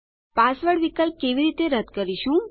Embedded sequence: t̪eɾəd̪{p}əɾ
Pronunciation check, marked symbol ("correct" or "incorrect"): incorrect